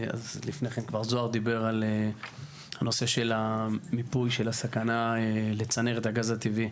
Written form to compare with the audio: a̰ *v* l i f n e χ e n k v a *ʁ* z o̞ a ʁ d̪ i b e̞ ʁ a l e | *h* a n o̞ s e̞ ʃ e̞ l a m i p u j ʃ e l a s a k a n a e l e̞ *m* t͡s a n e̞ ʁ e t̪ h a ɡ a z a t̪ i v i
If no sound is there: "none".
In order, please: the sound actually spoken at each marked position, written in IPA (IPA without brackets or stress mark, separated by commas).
z, ʁ, h, none